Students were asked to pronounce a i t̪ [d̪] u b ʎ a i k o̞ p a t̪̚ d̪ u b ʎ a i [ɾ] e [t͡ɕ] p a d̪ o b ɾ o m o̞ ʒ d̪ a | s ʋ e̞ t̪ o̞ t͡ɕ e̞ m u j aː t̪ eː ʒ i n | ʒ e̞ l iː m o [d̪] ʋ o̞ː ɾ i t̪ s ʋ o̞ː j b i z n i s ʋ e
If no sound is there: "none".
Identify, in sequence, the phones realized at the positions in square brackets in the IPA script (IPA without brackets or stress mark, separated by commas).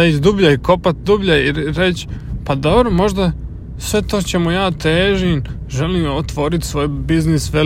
d̪, ɾ, t͡ɕ, t̪